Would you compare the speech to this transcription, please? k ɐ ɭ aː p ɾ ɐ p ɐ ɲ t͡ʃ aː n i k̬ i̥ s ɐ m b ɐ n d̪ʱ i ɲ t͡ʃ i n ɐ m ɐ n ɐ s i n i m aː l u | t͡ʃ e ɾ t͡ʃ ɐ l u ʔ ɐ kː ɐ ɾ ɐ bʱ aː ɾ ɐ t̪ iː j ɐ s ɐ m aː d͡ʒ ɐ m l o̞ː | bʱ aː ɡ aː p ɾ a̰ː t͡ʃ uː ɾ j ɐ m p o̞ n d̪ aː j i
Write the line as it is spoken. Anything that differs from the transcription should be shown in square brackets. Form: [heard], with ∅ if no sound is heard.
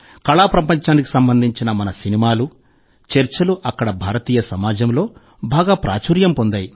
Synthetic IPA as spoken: k ɐ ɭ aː p ɾ ɐ p ɐ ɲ t͡ʃ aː n i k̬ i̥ s ɐ m b ɐ n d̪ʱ i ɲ t͡ʃ i n ɐ m ɐ n ɐ s i n i m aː l u | t͡ʃ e ɾ t͡ʃ ɐ l u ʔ ɐ kː ɐ [ɽ] ɐ bʱ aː ɾ ɐ t̪ iː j ɐ s ɐ m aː d͡ʒ ɐ m l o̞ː | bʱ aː ɡ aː p ɾ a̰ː t͡ʃ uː ɾ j ɐ m p o̞ n d̪ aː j i